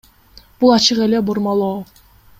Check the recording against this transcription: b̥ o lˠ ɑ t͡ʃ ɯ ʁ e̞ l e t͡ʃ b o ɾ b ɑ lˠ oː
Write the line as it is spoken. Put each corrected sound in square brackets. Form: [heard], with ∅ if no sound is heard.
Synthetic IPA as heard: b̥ [u] lˠ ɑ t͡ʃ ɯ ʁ e̞ l e [∅] b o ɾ [m] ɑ lˠ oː